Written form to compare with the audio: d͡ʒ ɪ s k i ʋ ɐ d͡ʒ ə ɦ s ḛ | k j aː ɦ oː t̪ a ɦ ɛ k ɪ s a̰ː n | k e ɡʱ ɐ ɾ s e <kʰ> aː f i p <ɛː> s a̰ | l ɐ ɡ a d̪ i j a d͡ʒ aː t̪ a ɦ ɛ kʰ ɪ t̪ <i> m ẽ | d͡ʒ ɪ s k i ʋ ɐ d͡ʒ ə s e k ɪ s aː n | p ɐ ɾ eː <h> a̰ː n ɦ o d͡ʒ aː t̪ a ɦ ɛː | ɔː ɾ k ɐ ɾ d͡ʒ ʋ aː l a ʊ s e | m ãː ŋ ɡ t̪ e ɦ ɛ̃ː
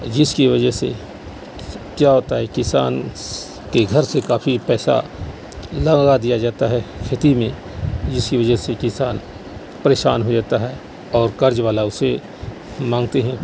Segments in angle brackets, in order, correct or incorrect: incorrect, correct, correct, incorrect

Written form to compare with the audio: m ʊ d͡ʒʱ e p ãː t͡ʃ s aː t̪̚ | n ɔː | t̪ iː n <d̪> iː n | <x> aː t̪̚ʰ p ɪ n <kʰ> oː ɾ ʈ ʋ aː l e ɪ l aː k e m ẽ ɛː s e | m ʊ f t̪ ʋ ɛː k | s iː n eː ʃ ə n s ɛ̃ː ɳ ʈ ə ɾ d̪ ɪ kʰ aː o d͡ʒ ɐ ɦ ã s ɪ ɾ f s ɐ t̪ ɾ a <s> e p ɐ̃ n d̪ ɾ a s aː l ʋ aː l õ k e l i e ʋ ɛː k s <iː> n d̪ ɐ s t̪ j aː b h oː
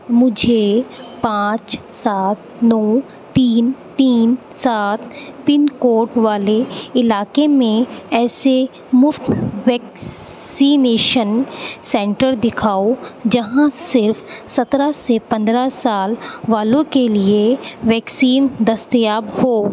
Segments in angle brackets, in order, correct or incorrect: incorrect, incorrect, incorrect, correct, correct

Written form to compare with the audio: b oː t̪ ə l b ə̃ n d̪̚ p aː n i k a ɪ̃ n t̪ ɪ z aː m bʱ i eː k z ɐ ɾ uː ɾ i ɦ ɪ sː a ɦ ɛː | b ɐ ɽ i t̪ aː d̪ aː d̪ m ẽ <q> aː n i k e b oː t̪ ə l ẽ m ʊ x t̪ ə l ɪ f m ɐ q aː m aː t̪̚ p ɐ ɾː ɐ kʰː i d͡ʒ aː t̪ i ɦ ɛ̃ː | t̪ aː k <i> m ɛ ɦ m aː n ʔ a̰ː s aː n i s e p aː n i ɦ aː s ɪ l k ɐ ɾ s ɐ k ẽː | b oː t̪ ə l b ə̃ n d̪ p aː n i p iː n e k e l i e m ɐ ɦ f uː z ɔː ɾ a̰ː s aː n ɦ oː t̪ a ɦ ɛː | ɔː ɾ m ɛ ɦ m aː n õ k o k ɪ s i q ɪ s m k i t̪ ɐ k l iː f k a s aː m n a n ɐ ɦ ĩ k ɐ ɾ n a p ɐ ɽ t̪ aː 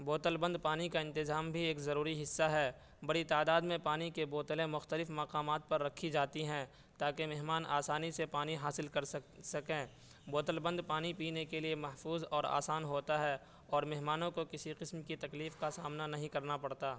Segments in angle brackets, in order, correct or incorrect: incorrect, incorrect

